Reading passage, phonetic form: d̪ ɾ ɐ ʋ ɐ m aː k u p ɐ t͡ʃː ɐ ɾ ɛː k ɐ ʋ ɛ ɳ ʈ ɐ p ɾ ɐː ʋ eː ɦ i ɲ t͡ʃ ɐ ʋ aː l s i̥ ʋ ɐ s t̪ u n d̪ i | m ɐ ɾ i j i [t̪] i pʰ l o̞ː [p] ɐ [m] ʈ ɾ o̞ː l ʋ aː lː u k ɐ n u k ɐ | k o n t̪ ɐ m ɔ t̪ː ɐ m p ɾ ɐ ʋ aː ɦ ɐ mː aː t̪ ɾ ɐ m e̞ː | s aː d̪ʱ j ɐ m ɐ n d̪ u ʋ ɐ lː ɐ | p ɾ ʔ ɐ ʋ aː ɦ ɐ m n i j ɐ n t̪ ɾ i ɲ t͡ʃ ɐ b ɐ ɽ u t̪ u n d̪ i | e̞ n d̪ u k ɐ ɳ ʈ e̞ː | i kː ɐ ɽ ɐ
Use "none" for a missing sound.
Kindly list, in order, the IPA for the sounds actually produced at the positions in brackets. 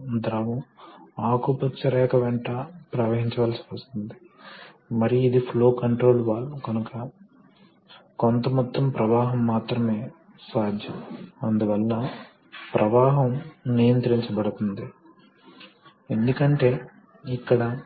d̪, k, ɳ

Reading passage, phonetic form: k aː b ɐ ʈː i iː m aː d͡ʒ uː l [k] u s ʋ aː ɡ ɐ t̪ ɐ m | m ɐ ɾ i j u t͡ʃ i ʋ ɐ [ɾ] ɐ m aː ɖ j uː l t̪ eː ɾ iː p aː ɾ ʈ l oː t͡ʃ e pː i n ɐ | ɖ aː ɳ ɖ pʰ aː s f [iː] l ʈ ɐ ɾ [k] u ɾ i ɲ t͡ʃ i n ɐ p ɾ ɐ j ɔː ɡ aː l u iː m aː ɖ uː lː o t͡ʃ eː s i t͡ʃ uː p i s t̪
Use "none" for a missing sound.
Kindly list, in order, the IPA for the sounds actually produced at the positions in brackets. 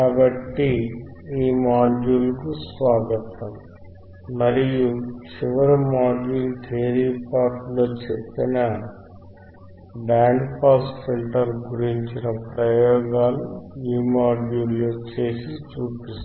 k, ɾ, i, ɡ

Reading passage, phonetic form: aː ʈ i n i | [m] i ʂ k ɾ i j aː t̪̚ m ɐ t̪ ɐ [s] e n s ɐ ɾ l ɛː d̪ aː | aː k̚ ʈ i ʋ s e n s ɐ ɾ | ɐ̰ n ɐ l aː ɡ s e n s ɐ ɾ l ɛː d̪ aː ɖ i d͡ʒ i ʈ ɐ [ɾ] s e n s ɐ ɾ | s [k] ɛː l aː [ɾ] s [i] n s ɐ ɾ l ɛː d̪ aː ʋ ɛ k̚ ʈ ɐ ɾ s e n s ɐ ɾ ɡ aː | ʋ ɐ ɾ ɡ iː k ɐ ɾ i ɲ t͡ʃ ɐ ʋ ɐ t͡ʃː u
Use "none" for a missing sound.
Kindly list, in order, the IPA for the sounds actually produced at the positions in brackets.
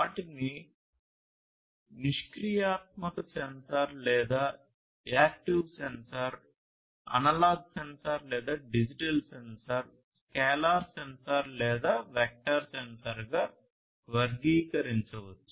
n, s, l, k, ɾ, e

